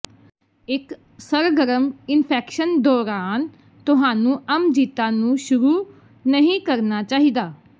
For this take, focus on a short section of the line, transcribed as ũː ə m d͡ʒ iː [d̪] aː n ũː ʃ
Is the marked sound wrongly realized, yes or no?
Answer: yes